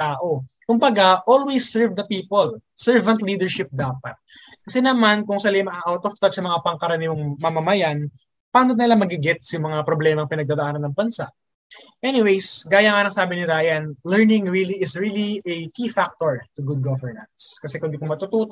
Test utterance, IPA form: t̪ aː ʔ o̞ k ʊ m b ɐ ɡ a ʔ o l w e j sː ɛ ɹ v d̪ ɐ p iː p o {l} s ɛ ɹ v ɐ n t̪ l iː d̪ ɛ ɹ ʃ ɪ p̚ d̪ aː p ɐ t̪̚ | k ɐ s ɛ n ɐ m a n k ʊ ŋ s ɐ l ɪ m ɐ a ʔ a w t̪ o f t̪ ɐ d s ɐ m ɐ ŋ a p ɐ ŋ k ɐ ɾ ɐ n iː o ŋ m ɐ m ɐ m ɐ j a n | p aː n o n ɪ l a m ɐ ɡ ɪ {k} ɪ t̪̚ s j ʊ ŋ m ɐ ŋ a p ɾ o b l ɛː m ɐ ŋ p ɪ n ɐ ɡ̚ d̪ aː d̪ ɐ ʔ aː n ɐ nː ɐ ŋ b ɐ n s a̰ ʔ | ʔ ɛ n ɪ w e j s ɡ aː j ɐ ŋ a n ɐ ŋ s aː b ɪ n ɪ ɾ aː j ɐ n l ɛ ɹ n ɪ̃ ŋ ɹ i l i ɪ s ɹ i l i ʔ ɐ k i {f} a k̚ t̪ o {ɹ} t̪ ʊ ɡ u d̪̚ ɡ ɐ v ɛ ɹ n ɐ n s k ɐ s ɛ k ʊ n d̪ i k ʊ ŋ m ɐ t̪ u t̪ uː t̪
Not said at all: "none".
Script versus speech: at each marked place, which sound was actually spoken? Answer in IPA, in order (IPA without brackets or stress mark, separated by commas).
l, ɡ, f, ɹ